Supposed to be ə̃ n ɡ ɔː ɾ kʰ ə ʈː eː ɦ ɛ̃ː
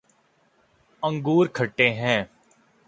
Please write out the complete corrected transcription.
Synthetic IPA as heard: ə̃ ŋ ɡ uː ɾ kʰ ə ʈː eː ɦ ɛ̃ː